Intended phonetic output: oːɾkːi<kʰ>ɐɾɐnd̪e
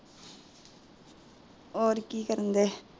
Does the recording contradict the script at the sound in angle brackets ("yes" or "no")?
yes